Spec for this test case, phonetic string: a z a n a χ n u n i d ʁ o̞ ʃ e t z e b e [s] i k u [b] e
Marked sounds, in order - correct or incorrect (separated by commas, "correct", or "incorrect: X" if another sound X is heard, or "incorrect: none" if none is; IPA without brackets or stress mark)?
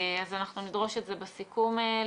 correct, incorrect: m